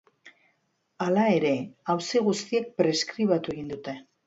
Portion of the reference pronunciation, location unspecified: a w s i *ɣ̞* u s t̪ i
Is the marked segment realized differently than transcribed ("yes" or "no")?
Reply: no